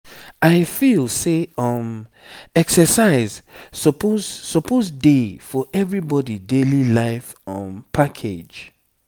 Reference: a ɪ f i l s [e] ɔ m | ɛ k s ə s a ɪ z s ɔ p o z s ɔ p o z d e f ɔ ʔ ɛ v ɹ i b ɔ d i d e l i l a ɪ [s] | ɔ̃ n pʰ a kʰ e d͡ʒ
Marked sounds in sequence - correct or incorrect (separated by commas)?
correct, incorrect